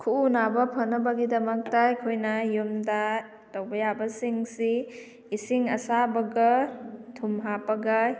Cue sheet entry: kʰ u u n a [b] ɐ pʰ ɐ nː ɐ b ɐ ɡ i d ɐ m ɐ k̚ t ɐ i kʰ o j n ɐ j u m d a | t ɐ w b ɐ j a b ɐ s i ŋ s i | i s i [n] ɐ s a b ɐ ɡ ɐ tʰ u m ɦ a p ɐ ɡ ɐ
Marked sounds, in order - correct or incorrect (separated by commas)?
correct, incorrect